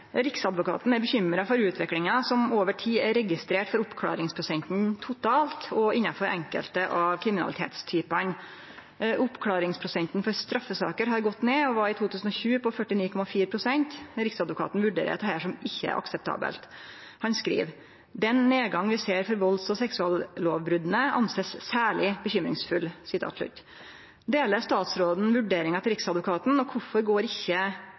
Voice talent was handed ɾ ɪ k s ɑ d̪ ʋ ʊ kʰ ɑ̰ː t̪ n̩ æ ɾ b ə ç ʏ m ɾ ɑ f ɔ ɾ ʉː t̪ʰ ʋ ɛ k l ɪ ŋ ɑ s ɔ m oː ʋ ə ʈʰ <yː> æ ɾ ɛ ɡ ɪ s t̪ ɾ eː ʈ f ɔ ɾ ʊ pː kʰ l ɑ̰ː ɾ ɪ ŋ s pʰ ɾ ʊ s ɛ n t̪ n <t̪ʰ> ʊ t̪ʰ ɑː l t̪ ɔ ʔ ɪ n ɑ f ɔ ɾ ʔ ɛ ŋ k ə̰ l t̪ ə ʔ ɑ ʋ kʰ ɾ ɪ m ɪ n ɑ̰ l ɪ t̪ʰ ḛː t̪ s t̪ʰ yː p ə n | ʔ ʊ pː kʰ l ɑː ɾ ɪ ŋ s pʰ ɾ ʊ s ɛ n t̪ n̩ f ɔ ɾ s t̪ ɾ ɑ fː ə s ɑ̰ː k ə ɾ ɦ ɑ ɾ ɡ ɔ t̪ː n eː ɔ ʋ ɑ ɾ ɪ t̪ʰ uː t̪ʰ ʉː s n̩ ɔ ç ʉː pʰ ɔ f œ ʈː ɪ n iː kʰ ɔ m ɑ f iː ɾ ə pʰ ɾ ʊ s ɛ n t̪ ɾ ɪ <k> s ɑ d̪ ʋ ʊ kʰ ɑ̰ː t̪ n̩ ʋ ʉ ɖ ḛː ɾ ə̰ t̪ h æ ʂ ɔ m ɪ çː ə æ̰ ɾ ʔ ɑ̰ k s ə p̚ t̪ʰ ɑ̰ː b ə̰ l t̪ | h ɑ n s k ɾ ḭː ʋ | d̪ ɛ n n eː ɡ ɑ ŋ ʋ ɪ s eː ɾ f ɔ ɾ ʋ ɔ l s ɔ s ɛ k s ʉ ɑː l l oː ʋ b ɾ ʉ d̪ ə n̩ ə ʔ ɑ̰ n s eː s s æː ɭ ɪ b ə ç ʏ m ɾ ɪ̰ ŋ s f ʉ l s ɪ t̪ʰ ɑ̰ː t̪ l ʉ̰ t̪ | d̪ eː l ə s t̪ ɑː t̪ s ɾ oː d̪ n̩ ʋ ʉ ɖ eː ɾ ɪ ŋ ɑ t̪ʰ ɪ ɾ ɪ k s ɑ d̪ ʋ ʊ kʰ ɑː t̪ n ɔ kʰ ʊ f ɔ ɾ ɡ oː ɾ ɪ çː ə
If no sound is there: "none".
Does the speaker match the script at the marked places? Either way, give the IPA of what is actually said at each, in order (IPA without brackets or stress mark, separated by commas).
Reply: iː, t̪ʰ, k